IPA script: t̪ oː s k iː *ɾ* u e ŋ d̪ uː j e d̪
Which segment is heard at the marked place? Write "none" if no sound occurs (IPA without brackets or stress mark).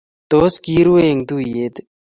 ɾ